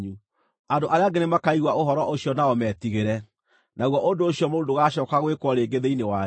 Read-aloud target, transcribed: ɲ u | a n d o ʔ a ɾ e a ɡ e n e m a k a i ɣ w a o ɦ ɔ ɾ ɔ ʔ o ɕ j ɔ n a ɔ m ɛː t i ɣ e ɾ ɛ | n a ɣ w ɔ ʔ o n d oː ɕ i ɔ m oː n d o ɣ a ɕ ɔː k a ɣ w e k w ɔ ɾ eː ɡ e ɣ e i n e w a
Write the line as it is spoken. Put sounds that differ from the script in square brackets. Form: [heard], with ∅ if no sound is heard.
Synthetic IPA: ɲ u | a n d o ʔ a ɾ e a ɡ e n e m a k a i ɣ w a o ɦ ɔ ɾ ɔ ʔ o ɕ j ɔ n a ɔ m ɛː t i ɣ e ɾ ɛ | n a ɣ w ɔ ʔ o n d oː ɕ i ɔ m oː n d o ɣ a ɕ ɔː k a ɣ w e k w ɔ ɾ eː ɡ e [ð] e i n e w a